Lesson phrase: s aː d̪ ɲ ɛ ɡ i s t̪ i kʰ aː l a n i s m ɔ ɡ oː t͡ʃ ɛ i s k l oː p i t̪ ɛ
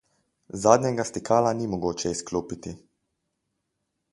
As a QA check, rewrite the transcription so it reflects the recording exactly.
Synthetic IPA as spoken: z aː d̪ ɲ ɛ ɡ a s t̪ i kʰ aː l a n i m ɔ ɡ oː t͡ʃ ɛ i s k l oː p i t̪ i